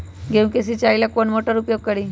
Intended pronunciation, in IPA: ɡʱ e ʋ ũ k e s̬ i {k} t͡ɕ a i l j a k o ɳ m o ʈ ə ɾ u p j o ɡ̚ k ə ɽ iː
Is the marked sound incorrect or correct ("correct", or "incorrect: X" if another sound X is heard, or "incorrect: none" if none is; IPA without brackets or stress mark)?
incorrect: none